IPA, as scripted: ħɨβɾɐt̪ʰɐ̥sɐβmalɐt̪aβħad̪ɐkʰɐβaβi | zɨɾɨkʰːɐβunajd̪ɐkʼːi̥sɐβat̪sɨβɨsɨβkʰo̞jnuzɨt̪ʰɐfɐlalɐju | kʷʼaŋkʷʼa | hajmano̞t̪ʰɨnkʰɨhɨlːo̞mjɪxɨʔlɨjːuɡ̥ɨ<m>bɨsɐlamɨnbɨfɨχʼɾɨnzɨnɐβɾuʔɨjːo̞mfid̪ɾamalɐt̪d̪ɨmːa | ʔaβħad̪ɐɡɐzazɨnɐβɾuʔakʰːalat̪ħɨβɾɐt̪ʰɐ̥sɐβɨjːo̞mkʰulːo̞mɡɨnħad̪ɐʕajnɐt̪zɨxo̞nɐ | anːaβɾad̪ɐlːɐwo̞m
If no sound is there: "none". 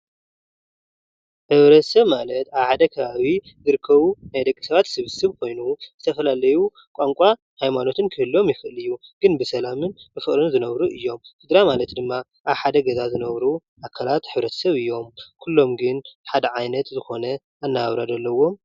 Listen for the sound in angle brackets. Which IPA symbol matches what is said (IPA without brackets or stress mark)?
n